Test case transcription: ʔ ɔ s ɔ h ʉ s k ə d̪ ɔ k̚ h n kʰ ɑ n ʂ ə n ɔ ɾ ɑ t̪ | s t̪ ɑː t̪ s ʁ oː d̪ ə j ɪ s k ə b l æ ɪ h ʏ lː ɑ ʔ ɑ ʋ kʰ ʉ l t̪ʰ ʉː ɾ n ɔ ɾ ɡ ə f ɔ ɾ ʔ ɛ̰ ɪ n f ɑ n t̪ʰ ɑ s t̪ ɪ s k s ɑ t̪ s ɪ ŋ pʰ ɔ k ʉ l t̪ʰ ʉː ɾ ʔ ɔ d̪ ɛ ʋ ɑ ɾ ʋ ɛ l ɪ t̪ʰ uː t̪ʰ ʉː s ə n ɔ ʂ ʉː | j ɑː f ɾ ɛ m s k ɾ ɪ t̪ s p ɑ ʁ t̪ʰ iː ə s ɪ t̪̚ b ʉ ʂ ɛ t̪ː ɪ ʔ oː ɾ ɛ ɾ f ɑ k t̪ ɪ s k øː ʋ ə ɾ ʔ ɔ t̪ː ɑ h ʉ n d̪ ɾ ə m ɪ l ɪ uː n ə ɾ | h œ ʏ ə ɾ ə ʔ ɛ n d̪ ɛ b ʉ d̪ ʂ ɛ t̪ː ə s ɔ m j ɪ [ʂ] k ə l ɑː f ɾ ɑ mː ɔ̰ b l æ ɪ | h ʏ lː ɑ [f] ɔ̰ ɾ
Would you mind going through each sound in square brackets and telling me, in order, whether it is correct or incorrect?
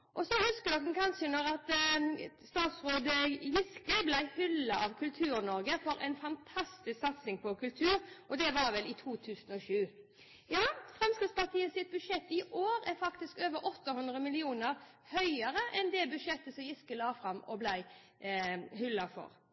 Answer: incorrect: s, correct

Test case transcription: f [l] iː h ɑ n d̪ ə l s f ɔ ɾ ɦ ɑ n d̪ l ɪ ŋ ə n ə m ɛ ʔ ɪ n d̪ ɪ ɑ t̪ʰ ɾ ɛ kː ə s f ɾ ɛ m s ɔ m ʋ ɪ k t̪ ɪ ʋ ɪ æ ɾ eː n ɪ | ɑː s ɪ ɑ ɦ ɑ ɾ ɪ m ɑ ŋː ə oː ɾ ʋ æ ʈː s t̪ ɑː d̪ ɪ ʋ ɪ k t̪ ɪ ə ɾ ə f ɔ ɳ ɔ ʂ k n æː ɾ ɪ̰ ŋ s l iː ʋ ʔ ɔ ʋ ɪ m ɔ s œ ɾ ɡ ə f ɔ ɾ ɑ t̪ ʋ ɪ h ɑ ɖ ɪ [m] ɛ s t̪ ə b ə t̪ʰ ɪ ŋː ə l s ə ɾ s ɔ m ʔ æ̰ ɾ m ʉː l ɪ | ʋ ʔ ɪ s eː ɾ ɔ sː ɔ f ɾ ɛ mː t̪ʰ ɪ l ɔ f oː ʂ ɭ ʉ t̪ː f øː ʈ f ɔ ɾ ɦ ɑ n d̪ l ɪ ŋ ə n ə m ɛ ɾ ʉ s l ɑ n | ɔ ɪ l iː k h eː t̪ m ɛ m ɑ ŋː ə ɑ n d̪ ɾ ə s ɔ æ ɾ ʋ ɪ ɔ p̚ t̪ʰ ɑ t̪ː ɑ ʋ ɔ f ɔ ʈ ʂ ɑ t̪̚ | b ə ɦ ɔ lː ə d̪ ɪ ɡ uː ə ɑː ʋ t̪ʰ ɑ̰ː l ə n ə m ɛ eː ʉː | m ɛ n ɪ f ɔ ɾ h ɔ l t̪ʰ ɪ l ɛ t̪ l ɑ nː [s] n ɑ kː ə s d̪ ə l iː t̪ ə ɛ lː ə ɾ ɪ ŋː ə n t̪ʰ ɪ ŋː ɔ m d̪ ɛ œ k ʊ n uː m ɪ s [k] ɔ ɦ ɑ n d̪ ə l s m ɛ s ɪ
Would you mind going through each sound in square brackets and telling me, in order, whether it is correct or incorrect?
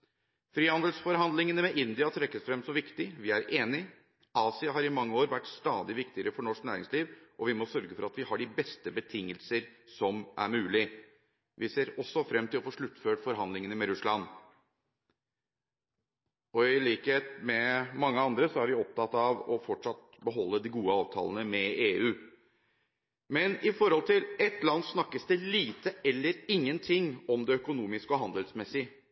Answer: incorrect: ɾ, incorrect: b, correct, correct

